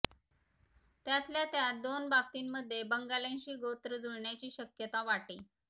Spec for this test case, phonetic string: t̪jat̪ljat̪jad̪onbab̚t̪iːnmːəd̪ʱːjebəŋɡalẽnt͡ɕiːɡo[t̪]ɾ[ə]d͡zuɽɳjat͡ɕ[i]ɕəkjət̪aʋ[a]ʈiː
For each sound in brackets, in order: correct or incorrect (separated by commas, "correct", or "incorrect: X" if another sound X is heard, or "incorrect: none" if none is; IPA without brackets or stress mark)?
correct, correct, incorrect: iː, correct